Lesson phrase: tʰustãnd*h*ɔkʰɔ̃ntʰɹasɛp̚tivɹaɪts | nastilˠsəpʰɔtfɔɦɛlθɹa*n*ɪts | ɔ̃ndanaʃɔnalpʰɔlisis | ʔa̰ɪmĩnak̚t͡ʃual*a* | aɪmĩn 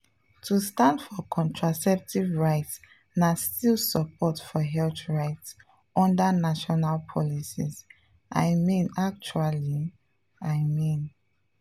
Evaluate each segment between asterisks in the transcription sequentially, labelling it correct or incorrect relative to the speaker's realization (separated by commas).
incorrect, incorrect, incorrect